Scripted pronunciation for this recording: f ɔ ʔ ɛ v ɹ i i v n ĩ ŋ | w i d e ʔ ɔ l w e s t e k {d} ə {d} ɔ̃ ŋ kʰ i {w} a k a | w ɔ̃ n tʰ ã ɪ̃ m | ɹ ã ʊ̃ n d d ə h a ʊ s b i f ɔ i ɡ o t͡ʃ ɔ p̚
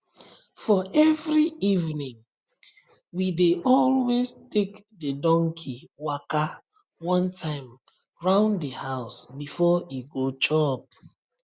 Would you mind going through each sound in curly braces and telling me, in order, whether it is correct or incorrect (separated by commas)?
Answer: correct, correct, correct